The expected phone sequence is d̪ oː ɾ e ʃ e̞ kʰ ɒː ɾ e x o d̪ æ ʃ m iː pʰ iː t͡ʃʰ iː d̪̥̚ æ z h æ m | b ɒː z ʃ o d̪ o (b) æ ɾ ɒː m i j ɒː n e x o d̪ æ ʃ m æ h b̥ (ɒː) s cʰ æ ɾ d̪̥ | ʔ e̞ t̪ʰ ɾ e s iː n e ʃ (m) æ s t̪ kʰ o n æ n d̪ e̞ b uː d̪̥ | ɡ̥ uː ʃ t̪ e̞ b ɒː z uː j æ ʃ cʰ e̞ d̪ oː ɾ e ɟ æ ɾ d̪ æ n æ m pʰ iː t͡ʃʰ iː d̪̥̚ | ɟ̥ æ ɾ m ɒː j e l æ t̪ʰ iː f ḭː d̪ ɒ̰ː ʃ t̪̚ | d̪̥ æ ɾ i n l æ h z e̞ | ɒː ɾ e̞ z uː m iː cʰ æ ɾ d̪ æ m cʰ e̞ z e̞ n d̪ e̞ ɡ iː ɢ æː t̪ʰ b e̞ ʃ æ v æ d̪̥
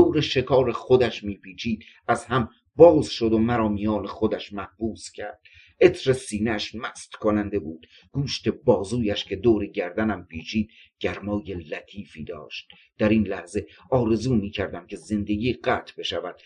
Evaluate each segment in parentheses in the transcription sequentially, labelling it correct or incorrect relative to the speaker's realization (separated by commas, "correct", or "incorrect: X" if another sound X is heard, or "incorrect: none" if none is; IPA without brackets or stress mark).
incorrect: m, incorrect: uː, correct